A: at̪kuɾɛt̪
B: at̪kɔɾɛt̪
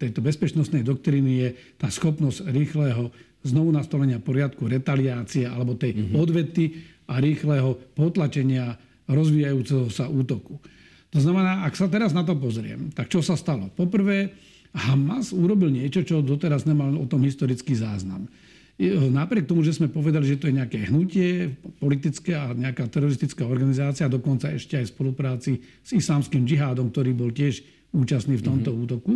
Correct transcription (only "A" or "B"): A